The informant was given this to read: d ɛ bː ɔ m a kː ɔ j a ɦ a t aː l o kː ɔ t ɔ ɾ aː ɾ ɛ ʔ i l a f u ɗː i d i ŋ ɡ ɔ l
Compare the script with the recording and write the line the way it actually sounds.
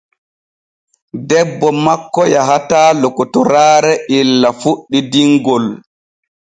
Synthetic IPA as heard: d ɛ bː ɔ m a kː ɔ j a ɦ a t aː l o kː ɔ t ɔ ɾ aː ɾ ɛ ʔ i lː a f u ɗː i d i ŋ ɡ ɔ l